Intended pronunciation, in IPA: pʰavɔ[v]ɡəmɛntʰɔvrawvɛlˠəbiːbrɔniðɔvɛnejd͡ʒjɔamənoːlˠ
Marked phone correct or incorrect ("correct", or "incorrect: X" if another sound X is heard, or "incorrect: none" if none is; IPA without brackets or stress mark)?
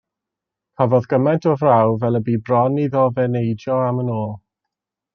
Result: incorrect: ð